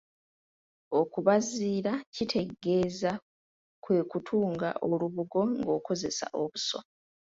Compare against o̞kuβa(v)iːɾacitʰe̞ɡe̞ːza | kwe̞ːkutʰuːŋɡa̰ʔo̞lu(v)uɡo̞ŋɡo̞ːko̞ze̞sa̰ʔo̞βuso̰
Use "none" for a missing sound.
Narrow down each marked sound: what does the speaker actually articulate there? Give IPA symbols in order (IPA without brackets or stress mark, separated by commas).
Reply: z, β